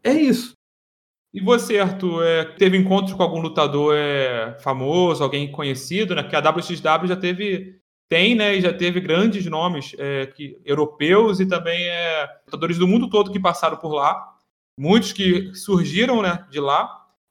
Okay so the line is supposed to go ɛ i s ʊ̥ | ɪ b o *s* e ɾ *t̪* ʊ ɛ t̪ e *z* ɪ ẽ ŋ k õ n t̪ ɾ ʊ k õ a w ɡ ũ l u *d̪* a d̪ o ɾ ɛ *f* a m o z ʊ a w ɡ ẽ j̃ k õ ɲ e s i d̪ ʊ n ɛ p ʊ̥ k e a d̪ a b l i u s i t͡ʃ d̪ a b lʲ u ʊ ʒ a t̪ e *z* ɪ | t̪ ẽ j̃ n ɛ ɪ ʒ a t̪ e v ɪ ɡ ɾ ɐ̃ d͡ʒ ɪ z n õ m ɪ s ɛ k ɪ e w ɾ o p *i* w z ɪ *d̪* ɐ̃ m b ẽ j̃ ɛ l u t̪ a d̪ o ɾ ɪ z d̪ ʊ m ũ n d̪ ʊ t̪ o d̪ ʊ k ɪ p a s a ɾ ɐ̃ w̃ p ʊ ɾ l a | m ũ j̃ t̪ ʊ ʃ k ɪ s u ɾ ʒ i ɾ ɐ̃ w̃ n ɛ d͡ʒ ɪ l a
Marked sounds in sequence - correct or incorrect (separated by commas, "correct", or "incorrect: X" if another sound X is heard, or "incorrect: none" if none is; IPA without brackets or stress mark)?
correct, correct, incorrect: v, incorrect: t̪, correct, incorrect: v, incorrect: e, incorrect: t̪